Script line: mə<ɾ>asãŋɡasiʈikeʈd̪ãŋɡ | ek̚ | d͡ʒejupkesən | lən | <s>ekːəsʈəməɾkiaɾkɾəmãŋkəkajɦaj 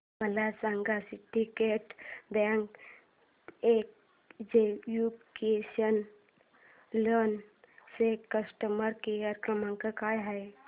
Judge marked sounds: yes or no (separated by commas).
no, yes